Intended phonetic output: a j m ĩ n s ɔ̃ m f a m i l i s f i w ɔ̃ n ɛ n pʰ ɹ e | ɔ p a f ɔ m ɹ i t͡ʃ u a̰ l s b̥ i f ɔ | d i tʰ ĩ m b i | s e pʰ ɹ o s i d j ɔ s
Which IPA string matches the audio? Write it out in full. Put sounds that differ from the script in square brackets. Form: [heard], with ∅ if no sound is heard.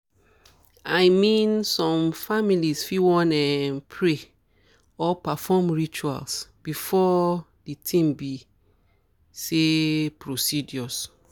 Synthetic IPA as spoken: a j m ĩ n s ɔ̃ m f a m i l i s f i w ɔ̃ n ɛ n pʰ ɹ e | ɔ p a f ɔ m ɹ i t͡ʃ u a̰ l s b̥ i f ɔ | d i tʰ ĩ m b i | s e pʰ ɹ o s i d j ɔ s